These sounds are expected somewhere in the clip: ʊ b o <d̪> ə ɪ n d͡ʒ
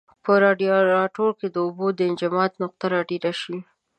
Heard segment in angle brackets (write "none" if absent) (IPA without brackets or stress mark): d̪